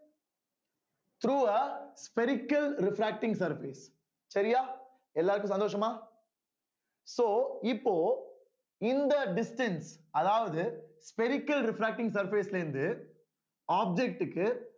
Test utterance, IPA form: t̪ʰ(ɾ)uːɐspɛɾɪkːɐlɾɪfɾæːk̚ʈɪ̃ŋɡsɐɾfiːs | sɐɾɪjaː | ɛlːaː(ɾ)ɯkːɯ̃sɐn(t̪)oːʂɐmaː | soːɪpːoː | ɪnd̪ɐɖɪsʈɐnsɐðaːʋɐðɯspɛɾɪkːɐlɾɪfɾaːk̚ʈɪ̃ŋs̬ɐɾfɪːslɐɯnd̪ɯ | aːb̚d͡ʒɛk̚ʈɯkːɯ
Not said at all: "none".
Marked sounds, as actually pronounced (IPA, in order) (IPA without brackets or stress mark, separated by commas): ɾ, ɾ, d̪